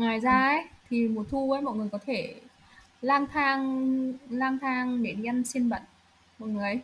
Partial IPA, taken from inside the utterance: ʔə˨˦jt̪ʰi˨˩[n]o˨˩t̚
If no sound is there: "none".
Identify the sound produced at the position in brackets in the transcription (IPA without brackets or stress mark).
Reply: m